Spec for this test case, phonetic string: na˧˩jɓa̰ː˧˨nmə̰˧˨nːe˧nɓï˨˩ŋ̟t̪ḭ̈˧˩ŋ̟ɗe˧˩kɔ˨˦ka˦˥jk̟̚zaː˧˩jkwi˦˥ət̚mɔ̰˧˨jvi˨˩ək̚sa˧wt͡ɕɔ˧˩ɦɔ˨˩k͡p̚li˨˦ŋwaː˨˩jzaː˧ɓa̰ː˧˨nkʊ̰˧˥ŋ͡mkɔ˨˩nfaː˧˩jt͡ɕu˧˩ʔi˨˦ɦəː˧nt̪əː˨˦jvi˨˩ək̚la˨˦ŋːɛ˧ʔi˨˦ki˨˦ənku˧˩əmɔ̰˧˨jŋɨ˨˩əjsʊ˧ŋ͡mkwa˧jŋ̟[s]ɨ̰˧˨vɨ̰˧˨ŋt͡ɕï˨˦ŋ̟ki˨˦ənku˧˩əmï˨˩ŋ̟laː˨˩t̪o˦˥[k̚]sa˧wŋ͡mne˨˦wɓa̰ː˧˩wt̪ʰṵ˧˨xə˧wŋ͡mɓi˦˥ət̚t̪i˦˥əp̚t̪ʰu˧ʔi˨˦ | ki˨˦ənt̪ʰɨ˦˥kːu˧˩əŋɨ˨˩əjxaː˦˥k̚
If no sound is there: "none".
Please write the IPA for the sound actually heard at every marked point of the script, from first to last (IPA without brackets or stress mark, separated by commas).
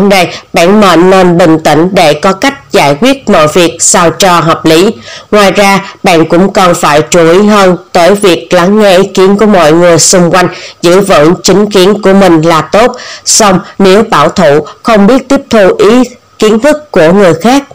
z, t̚